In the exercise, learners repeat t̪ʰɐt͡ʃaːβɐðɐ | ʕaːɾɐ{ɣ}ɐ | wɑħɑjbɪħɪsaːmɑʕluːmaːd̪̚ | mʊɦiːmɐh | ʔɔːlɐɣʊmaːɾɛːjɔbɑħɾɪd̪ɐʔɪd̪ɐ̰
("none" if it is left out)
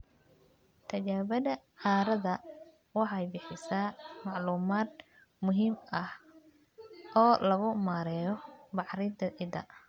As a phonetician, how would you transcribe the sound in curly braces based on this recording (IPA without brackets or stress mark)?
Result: ð